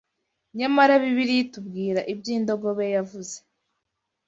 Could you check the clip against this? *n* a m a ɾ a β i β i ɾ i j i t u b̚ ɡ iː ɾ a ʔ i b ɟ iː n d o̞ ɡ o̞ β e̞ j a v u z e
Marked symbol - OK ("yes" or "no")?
no